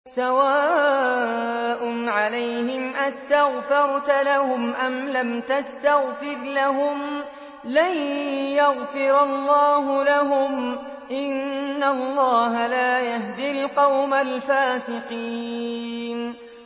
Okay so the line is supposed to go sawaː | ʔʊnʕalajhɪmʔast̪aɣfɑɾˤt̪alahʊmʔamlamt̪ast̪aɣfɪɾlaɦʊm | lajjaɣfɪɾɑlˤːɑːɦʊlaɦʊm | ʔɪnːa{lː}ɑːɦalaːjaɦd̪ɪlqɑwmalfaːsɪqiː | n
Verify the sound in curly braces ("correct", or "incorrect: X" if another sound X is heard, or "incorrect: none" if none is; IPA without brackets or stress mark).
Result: correct